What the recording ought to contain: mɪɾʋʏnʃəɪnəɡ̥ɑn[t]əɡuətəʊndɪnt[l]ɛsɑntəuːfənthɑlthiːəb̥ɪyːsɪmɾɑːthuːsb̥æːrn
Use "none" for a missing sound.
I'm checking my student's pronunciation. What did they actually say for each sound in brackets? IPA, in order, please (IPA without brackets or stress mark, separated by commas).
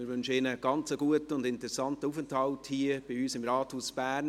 t͡s, ɾ